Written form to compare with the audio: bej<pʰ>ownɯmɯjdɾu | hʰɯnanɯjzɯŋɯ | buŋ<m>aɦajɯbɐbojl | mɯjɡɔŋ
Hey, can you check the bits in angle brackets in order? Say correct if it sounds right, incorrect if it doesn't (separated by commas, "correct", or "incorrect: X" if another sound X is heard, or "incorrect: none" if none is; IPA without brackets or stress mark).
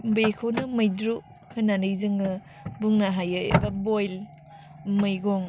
incorrect: kʰ, incorrect: n